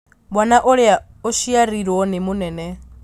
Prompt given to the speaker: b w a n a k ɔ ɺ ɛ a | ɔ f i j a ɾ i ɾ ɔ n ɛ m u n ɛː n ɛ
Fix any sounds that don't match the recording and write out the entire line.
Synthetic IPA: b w a n a ʔ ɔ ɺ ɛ a | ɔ ʃ i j a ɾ i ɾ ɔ n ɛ m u n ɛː n ɛ

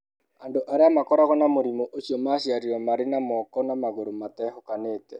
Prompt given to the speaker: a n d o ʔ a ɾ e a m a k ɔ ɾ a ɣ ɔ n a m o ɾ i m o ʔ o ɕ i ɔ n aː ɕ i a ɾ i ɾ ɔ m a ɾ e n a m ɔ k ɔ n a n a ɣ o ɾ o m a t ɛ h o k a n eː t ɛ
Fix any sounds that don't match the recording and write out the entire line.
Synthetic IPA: a n d o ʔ a ɾ e a m a k ɔ ɾ a ɣ ɔ n a m o ɾ i m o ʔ o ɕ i ɔ m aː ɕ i a ɾ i ɾ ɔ m a ɾ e n a m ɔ k ɔ n a m a ɣ o ɾ o m a t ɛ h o k a n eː t ɛ

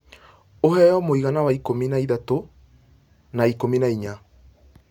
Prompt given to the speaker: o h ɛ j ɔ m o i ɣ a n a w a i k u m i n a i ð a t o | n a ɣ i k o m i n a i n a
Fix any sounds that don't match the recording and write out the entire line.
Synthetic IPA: o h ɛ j ɔ m o i ɣ a n a w a i k o m i n a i ð a t o | n a i k o m i n a i ɲ a

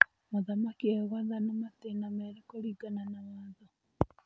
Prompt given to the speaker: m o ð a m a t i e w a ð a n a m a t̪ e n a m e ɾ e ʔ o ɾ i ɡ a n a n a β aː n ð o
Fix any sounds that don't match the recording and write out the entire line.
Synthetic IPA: m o ð a m a k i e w a ð a n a m a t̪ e n a m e ɾ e k o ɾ i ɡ a n a n a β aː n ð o

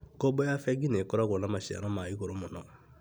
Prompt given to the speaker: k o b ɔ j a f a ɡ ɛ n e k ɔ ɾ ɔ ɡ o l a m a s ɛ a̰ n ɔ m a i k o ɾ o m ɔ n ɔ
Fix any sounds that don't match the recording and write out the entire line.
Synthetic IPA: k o b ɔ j a f ɛ ɡ i n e k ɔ ɾ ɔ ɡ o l a m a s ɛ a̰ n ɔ m a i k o ɾ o m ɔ n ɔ

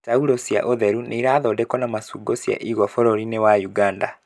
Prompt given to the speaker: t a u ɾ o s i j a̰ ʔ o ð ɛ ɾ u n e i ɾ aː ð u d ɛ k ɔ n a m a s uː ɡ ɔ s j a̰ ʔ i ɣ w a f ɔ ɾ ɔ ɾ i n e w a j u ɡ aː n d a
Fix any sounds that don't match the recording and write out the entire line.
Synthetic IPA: t a u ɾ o s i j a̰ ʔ o ð ɛ ɾ u n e i ɾ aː ð ɔ d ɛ k ɔ n a m a s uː ɡ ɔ s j a̰ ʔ i ɣ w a f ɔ ɾ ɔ ɾ i n e w a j u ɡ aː n d a

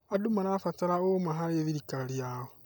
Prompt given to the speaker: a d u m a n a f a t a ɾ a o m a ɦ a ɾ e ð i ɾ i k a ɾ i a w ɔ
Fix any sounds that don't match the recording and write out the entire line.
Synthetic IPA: a d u m a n a f a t a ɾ a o m a ɦ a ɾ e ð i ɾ i k a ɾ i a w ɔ

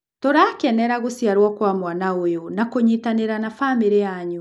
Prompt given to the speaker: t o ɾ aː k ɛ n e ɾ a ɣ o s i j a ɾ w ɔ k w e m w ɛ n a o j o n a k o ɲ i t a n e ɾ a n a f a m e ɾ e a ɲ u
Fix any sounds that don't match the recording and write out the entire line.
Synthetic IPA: t o ɾ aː k ɛ n ɛ ɾ a ɣ o s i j a ɾ w ɔ k w a m w a n a o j o n a k o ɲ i t a n e ɾ a n a f a m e ɾ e a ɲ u

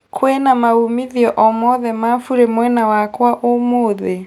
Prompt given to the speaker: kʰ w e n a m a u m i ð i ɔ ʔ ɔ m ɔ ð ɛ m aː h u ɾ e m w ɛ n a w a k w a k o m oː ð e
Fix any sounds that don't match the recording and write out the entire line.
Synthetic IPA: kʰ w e n a m a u m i ð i ɔ ʔ ɔ m ɔ ð ɛ m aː f u ɾ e m w ɛ n a w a k w a ʔ o m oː ð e

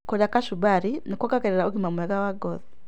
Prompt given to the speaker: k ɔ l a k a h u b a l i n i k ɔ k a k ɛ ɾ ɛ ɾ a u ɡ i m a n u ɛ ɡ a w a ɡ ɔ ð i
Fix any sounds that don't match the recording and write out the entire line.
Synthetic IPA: k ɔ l a k a ʃ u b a ɾ i n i k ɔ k a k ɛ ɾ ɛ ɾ a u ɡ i m a m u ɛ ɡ a w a ɡ ɔ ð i

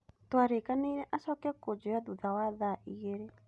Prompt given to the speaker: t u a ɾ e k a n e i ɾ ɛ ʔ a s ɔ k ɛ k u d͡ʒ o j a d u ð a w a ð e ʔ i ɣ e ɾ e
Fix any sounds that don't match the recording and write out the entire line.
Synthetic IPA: t w a ɾ e k a n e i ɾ ɛ ʔ a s ɔ k ɛ k o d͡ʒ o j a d u ð a w a ð a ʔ i ɣ e ɾ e

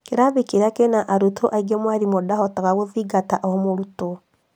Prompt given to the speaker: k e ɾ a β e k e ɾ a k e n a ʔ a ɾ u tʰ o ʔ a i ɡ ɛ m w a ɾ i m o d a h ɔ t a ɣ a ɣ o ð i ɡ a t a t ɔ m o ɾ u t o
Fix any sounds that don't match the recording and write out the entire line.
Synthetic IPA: k e ɾ a β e k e ɾ a k e n a ʔ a ɾ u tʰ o ʔ a i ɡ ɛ m w a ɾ i m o d a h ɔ t a ɣ a ɣ o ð i ɡ a t a ʔ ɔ m o ɾ u t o

